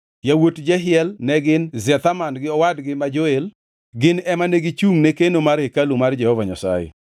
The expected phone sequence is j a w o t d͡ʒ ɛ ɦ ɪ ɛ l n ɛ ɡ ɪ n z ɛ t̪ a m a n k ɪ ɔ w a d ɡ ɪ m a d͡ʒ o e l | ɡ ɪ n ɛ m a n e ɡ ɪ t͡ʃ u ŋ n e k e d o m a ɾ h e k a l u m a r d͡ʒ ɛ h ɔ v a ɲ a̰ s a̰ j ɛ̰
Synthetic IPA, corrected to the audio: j a w o t d͡ʒ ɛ ɦ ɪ ɛ l n ɛ ɡ ɪ n z ɛ t̪ a m a n ɡ ɪ ɔ w a d ɡ ɪ m a d͡ʒ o e l | ɡ ɪ n ɛ m a n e ɡ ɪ t͡ʃ u ŋ n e k e n o m a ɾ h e k a l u m a r d͡ʒ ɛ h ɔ v a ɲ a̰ s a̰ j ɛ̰